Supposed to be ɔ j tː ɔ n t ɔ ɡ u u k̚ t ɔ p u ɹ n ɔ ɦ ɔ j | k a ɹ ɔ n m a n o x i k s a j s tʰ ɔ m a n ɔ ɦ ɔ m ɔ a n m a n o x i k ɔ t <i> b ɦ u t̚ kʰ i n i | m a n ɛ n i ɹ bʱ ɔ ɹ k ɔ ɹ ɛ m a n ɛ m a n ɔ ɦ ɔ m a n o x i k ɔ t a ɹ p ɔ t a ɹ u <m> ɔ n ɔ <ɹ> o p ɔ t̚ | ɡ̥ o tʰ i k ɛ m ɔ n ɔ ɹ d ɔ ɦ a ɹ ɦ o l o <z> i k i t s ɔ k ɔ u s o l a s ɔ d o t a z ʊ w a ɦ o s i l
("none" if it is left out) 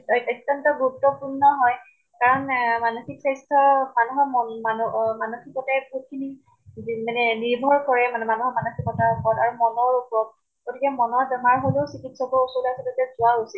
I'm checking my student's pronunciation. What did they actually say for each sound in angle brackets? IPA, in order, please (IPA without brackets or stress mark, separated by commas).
ɛ, m, ɹ, s